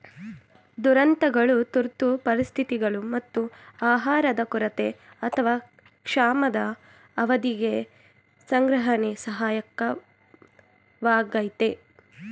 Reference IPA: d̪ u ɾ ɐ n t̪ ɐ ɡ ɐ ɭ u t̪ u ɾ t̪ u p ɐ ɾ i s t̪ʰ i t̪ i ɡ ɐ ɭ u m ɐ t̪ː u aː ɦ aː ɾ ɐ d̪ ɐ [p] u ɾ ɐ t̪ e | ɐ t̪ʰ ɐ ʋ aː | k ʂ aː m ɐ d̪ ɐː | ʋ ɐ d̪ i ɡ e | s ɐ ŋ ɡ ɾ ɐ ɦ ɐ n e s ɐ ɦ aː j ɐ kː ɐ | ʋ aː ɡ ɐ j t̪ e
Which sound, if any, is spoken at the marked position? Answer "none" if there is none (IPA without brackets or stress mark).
k